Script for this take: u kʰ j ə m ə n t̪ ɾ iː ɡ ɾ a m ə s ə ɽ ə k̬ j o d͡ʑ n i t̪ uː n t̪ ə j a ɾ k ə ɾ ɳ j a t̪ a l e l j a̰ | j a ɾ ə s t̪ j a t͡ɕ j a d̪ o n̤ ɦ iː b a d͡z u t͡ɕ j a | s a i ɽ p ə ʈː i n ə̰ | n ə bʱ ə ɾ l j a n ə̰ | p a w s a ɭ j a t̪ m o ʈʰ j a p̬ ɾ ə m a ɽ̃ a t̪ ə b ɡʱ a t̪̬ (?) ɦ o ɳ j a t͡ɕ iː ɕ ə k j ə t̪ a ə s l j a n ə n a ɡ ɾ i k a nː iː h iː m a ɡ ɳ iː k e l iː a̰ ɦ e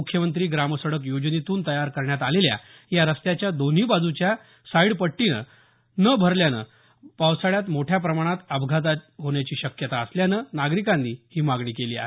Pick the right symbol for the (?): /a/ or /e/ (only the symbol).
a